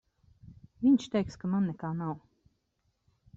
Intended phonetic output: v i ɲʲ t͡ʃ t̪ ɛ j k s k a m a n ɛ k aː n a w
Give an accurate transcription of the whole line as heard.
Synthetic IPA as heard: v i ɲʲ t͡ʃ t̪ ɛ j k s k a m a nː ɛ k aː n a w